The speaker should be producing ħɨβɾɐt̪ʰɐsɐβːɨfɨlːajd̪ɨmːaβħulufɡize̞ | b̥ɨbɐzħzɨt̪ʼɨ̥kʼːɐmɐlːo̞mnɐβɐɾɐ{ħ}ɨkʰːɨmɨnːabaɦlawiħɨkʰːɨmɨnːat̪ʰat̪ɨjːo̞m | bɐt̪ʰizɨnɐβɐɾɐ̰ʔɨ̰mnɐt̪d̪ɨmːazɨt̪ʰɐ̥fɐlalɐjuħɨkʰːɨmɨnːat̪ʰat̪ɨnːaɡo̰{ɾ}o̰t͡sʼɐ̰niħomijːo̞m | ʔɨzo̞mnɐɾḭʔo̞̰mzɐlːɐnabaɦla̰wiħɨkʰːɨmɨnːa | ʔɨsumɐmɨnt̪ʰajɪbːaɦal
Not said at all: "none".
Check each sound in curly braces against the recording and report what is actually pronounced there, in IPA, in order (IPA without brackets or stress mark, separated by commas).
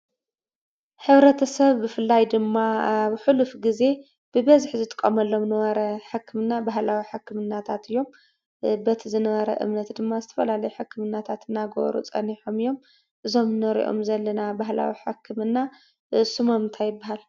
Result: ħ, ɾ